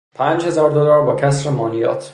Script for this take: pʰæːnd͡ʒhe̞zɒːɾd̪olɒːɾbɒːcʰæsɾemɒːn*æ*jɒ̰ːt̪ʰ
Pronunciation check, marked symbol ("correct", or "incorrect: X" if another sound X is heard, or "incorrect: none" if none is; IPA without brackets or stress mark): incorrect: i